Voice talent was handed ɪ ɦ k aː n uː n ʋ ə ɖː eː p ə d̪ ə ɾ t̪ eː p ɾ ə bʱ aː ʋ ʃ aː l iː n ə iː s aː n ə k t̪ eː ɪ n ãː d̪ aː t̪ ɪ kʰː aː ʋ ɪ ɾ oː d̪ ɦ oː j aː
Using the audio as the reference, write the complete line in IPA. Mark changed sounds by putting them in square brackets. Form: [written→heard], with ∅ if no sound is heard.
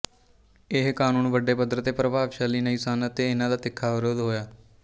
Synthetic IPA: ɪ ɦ k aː n uː n ʋ ə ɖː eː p ə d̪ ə ɾ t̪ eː p ɾ ə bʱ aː ʋ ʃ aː l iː n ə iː s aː n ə [k→∅] t̪ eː ɪ n ãː d̪ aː t̪ ɪ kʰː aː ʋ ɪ ɾ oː d̪ ɦ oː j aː